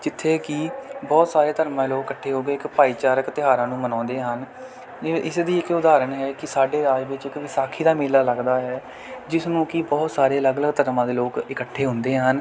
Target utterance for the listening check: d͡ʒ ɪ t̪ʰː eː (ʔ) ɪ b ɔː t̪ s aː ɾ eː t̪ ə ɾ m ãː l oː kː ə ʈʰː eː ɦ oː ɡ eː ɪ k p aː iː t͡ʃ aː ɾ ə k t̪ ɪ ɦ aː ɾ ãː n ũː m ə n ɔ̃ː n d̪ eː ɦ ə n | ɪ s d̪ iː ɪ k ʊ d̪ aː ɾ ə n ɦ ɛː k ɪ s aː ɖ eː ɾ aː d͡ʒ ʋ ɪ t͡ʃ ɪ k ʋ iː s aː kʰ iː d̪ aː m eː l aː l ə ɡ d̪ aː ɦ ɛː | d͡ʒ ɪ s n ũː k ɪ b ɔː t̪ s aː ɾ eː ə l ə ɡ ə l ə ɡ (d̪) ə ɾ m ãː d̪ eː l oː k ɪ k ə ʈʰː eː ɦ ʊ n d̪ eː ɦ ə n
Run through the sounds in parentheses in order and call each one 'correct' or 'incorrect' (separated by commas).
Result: incorrect, incorrect